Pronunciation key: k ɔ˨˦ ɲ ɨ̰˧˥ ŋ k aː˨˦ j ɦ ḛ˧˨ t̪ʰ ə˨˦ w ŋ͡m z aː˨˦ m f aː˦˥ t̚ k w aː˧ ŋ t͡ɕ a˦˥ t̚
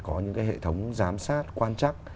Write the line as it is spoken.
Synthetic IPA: k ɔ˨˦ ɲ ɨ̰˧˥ ŋ k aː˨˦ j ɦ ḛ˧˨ t̪ʰ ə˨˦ w ŋ͡m z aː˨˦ m s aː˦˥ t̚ k w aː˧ n t͡ɕ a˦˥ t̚